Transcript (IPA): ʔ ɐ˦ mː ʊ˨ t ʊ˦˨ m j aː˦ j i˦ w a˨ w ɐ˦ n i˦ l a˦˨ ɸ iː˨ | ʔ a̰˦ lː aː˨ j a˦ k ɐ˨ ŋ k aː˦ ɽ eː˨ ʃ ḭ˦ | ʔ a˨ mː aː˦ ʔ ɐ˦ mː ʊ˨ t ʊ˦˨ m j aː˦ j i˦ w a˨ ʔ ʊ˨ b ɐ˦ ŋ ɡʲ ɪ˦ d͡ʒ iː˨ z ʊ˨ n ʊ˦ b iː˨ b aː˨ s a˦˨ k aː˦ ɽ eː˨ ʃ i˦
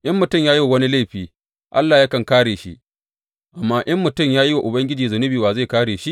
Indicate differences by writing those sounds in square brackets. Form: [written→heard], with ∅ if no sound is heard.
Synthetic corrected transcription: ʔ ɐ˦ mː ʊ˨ t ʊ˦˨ m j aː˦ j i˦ w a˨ w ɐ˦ n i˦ l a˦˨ ɸ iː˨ | ʔ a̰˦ lː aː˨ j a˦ k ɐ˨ ŋ k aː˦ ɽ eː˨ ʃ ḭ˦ | ʔ a˨ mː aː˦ ʔ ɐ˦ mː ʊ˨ t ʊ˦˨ m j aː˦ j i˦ w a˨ ʔ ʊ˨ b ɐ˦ ŋ ɡʲ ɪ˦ d͡ʒ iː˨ z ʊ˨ n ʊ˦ b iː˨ [b→w] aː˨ [s→z] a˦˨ k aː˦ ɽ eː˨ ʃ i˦